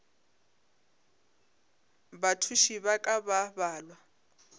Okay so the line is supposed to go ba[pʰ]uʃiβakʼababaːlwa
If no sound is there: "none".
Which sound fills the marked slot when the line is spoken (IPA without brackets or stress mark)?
tʰ